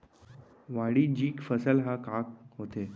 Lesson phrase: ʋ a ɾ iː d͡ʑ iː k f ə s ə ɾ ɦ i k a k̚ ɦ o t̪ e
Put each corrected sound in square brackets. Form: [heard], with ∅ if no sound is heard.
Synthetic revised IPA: ʋ a [ɽ] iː d͡ʑ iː k f ə s ə [l] ɦ [a] k a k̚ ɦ o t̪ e